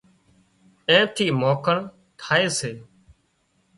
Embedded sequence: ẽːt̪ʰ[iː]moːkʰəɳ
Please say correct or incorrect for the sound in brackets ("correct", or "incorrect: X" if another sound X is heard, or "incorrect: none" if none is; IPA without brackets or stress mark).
correct